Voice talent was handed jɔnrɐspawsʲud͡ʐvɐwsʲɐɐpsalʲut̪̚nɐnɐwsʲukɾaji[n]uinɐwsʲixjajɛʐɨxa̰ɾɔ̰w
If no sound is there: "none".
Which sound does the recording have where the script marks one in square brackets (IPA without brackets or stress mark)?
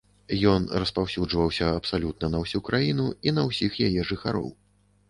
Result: n